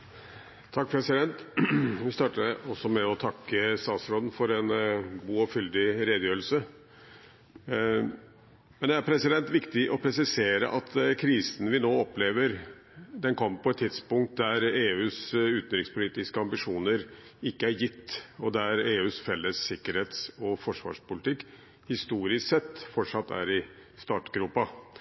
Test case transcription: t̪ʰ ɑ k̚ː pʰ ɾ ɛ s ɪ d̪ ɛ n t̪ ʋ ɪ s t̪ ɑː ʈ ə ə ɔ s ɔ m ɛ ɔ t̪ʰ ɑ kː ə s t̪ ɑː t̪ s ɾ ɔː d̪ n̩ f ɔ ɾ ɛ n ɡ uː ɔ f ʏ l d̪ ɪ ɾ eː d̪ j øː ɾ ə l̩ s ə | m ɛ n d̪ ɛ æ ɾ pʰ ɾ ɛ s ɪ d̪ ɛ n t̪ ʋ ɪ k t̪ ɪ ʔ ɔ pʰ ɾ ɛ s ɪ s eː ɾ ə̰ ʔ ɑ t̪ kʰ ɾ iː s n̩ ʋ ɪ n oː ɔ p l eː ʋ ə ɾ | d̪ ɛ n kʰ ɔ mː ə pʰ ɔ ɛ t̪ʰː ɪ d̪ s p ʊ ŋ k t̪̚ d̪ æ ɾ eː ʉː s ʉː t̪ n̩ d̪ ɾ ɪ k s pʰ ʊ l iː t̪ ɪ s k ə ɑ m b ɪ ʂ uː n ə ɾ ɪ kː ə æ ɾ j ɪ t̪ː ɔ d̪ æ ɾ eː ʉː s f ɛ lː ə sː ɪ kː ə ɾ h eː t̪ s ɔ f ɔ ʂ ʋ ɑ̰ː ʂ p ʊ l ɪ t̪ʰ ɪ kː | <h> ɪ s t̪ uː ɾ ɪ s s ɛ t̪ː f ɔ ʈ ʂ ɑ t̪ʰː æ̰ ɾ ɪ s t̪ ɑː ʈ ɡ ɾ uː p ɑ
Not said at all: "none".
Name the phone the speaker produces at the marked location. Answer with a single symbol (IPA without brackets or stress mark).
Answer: h